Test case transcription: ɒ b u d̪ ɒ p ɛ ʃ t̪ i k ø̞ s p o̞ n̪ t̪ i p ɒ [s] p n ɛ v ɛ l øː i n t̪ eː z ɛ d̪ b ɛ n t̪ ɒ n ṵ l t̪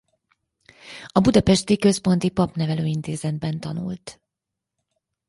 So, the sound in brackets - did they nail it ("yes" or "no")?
no